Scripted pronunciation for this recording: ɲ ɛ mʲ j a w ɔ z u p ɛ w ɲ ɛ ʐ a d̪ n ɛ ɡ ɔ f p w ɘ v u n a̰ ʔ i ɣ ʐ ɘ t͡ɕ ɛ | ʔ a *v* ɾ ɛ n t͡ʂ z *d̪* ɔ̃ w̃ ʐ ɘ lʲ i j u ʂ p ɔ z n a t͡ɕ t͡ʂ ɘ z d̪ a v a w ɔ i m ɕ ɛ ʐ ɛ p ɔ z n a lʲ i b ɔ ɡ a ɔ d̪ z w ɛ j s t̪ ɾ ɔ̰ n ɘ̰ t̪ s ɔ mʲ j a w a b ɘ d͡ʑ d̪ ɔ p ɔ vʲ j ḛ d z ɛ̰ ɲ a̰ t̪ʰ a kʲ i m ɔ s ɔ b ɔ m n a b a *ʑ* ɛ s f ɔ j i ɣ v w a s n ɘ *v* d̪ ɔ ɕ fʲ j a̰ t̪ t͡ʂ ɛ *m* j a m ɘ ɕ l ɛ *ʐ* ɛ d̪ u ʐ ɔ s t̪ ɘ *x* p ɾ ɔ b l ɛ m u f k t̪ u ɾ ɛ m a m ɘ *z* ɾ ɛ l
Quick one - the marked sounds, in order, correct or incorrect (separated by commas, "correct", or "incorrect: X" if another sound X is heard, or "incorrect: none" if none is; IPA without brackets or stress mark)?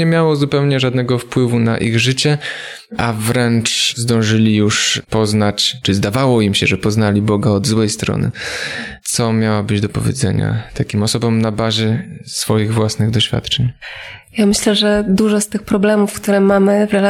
correct, correct, correct, incorrect: ɣ, incorrect: ɲ, correct, correct, incorrect: v